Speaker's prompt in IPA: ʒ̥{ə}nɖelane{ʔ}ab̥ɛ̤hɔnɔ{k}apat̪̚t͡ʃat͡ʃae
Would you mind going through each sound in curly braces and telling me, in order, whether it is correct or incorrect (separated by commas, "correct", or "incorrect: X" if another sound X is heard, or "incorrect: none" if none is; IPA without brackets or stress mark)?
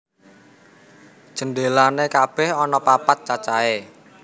correct, incorrect: k, incorrect: p